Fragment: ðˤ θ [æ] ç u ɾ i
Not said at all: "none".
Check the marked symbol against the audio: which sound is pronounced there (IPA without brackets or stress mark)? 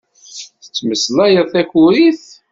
æ